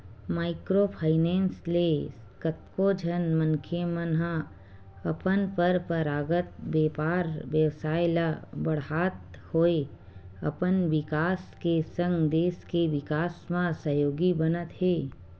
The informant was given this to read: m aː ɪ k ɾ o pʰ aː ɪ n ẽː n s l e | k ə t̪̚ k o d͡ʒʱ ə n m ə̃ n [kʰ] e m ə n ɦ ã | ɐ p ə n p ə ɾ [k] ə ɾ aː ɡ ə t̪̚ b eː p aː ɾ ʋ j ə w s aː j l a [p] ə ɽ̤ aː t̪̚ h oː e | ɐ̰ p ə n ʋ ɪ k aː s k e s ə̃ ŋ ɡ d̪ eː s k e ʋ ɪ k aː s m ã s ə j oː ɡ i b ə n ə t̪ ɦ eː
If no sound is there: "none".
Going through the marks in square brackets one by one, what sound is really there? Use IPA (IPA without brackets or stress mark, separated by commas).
kʰ, p, b